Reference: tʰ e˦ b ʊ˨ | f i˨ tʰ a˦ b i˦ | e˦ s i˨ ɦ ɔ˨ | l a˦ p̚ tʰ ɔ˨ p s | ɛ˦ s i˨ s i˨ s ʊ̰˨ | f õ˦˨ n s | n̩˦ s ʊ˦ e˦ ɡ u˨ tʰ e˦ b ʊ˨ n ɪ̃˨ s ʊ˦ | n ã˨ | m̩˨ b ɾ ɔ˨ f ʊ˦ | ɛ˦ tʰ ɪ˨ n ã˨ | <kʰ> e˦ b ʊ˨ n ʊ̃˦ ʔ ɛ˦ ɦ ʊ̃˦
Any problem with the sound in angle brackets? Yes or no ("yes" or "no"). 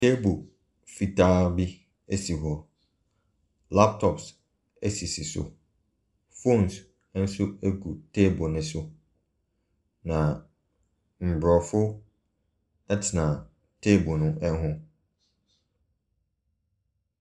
yes